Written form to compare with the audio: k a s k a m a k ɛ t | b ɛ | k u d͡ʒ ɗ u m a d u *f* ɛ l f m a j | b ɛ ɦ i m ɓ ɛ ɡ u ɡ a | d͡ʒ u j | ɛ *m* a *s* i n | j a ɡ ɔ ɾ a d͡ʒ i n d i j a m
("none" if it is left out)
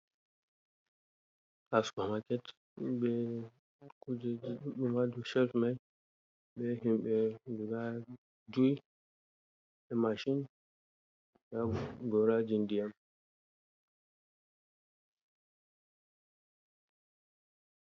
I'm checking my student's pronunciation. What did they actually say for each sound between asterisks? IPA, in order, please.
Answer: ʃ, m, ʃ

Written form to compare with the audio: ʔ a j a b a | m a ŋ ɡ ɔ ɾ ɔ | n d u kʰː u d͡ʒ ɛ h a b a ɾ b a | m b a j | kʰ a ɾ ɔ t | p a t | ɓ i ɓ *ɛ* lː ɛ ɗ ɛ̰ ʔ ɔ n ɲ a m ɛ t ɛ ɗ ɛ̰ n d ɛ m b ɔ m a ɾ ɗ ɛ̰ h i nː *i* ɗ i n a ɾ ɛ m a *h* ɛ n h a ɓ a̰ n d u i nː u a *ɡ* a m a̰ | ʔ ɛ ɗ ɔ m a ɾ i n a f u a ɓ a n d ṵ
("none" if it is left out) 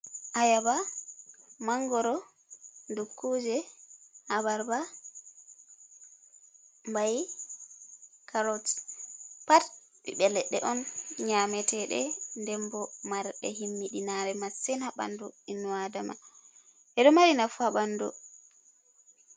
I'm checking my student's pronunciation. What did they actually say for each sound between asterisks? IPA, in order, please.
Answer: ɛ, i, s, d

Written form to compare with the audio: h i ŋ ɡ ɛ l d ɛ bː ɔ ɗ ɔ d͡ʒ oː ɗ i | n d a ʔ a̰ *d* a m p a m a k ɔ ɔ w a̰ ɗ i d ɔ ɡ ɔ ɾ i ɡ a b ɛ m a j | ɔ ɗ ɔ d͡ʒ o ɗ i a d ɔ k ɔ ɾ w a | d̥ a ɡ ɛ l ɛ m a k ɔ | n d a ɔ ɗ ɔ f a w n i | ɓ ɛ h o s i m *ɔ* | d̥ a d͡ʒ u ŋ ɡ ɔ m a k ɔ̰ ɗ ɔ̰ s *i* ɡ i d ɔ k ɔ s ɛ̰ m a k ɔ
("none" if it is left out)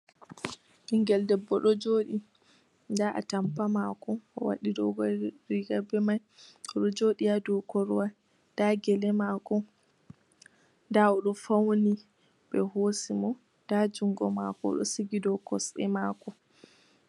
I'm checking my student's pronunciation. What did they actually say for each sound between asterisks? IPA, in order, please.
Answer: t, ɔ, i

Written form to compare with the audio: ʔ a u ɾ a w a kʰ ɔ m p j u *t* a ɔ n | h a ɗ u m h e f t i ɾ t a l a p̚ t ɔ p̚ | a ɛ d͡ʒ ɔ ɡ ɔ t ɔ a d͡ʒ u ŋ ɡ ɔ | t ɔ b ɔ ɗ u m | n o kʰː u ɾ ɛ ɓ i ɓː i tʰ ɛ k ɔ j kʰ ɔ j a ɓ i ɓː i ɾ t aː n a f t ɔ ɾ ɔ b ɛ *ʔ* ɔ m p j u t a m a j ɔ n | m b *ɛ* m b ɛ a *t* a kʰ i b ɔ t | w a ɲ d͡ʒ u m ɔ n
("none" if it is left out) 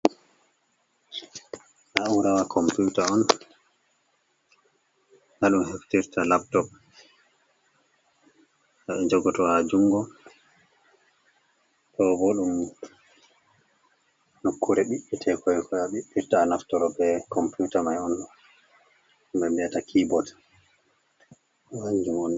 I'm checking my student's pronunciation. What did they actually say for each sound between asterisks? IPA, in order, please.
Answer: t, k, ɛ, t

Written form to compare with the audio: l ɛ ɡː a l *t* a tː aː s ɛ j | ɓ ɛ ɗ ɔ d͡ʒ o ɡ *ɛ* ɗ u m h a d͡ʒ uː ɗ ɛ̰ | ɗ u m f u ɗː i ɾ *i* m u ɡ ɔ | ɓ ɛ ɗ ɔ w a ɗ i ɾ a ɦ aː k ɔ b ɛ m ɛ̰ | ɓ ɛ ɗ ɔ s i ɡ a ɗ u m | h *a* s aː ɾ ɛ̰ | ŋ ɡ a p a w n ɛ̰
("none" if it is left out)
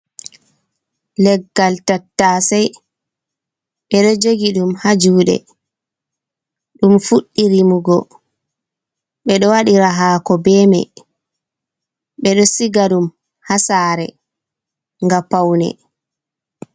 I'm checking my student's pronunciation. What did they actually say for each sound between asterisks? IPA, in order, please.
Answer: t, i, i, a

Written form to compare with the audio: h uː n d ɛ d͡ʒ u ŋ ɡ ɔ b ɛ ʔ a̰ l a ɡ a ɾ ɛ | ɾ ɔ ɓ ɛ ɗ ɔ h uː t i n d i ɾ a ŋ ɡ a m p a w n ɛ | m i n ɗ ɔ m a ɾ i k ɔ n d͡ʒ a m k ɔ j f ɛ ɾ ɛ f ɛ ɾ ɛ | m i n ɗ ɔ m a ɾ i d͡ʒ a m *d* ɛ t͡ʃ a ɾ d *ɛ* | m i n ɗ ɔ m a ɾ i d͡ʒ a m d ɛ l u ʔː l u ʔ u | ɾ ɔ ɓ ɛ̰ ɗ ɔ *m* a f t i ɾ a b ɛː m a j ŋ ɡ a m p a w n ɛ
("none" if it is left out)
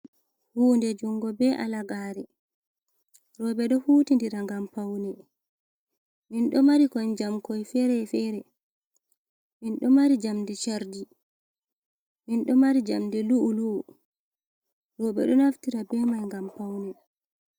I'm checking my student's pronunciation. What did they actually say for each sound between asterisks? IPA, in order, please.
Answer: d, i, n

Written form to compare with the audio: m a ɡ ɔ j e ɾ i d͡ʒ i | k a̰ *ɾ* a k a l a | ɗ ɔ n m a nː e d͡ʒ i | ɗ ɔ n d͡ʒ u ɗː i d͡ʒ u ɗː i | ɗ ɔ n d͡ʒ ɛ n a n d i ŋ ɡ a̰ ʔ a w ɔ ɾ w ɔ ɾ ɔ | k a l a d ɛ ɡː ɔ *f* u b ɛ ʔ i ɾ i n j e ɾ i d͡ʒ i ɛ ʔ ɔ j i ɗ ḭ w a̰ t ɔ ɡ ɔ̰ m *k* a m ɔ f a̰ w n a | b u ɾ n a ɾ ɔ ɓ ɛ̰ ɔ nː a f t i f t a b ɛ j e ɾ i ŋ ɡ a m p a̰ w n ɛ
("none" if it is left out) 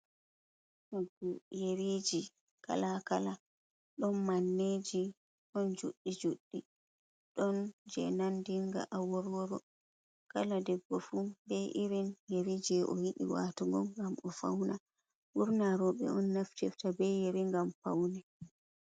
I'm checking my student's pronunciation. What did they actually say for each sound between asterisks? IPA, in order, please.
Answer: l, f, ɡ

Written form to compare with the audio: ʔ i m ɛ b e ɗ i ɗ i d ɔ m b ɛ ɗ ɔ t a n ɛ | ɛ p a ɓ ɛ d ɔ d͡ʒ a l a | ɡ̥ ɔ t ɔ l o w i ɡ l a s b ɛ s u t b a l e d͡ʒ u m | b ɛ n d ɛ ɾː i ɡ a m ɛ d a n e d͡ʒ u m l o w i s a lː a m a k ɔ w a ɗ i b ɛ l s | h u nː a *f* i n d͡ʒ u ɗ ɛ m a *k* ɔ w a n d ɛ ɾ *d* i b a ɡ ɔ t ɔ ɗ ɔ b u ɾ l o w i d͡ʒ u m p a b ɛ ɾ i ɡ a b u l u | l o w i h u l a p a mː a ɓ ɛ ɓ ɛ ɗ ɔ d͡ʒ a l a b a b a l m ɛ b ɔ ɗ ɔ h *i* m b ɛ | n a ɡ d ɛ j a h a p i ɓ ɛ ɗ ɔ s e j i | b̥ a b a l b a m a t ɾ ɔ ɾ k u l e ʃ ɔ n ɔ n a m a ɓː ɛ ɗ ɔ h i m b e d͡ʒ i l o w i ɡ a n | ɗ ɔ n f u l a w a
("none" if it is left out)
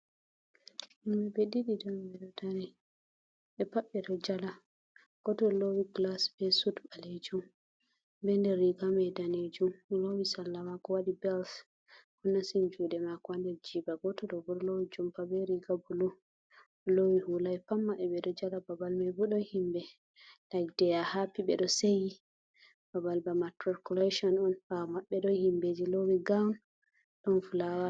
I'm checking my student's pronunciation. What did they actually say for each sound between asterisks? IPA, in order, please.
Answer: s, k, d͡ʒ, i

